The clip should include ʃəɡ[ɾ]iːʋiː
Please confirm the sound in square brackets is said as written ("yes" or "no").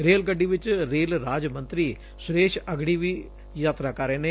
no